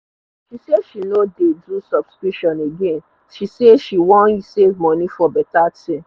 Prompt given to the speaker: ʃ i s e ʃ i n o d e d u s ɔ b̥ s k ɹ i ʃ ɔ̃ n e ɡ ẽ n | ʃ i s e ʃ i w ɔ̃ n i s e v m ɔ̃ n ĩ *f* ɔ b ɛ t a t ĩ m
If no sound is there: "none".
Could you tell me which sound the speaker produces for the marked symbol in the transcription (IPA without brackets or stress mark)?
f